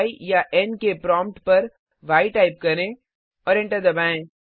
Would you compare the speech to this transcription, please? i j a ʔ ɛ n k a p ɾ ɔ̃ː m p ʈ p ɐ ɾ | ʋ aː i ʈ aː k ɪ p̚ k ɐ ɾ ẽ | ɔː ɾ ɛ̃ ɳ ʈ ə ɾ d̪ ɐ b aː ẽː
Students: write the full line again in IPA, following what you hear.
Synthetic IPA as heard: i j a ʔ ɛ n k e p ɾ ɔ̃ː m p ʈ p ɐ ɾ | ʋ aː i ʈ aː ɪ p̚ k ɐ ɾ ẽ | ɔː ɾ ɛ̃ ɳ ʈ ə ɾ d̪ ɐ b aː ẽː